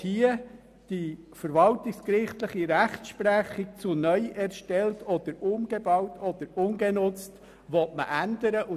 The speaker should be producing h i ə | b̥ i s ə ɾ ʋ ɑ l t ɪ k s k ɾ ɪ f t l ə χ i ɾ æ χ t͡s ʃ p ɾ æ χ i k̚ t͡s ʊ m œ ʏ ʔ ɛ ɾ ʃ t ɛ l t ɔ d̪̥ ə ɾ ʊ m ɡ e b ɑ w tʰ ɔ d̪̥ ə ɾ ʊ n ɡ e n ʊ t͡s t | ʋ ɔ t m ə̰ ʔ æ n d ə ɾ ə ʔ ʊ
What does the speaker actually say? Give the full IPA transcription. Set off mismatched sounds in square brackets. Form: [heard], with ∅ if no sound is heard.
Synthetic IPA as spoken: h i ə | [d̥] i [f] ə ɾ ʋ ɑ l t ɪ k s k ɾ ɪ [χ] t l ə χ i ɾ æ χ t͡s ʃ p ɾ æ χ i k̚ t͡s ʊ [n] œ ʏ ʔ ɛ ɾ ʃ t ɛ l t ɔ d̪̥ ə ɾ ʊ m ɡ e b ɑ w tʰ ɔ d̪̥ ə ɾ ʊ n ɡ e n ʊ t͡s t | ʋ ɔ t m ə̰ ʔ æ n d ə ɾ ə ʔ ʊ